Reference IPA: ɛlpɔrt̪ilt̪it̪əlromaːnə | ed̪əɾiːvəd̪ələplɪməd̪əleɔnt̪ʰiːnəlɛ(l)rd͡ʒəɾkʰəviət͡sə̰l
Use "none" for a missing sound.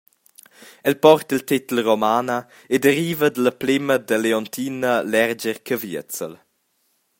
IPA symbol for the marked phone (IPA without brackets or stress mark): none